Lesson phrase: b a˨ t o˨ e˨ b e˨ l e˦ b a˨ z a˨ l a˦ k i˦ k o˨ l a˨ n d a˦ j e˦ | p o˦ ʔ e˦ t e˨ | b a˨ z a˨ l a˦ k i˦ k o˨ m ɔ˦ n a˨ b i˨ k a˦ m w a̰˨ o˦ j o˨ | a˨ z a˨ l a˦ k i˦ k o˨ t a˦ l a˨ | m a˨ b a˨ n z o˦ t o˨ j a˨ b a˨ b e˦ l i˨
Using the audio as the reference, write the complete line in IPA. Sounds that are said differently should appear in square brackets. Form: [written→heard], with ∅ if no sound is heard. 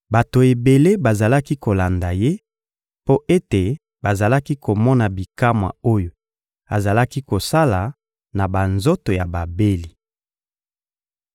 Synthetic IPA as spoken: b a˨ t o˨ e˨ b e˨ l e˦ b a˨ z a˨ l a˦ k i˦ k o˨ l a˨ n d [a˦→a˨] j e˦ | p o˦ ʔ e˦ t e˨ | b a˨ z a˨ l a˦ k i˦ k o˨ m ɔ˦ n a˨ b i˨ k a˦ m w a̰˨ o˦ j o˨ | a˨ z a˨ l a˦ k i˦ k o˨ [t→s] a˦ l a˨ | [m→n] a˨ b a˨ n z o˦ t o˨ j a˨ b a˨ b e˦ l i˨

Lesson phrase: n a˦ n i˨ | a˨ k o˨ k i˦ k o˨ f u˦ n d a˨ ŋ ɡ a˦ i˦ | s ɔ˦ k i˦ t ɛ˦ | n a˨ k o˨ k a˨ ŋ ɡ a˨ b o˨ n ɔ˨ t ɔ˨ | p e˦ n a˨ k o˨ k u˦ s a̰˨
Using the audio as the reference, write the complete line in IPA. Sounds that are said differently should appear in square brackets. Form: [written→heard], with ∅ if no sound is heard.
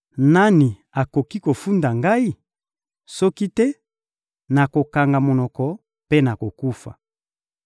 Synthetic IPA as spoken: n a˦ n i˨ | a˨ k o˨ k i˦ k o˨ f u˦ n d a˨ ŋ ɡ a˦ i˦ | s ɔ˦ k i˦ t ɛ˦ | n a˨ k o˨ k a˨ ŋ ɡ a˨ [b→m] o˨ n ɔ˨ [t→k] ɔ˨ | p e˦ n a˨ k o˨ k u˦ [s→f] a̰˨

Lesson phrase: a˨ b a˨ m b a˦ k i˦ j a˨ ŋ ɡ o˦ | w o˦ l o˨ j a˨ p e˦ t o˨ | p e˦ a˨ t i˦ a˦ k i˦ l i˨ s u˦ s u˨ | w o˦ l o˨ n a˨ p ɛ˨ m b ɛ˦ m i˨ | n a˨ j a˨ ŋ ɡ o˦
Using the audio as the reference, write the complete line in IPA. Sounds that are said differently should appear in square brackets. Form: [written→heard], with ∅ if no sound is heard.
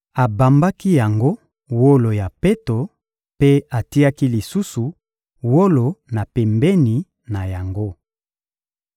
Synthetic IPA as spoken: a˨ b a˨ m b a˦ k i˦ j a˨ ŋ ɡ o˦ | w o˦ l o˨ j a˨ p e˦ t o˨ | p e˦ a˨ t i˦ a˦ k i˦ l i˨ s u˦ s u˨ | w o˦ l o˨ n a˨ p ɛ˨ m b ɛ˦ [m→n] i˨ | n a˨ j a˨ ŋ ɡ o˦

